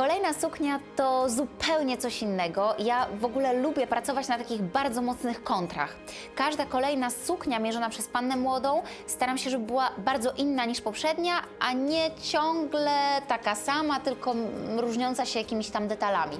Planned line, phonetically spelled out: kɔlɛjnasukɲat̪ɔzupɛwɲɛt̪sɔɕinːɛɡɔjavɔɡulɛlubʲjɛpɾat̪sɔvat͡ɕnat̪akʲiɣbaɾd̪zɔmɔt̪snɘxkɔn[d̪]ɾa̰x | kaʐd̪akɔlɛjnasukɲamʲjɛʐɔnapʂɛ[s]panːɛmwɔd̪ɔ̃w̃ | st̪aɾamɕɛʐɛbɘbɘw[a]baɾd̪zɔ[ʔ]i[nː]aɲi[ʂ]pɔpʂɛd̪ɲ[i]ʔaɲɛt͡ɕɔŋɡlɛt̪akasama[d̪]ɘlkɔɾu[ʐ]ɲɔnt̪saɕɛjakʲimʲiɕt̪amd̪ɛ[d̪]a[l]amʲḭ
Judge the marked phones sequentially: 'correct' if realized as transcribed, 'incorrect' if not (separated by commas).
incorrect, correct, correct, correct, correct, correct, incorrect, incorrect, correct, incorrect, correct